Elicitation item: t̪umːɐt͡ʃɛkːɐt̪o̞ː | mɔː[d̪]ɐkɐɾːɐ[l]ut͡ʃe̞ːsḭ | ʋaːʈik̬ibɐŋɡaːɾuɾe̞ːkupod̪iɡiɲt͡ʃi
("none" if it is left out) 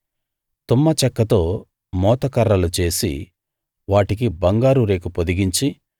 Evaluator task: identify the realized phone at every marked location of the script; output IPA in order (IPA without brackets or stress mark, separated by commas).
t̪, l